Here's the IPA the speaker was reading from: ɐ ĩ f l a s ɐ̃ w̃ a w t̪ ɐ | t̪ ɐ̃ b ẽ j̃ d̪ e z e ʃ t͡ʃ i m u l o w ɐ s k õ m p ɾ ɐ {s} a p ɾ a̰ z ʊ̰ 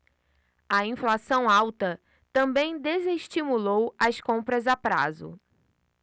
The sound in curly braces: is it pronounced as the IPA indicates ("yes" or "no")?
no